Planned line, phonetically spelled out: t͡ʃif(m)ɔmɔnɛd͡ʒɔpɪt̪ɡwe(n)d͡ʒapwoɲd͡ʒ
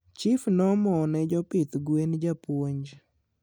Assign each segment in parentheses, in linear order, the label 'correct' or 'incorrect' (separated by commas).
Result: incorrect, correct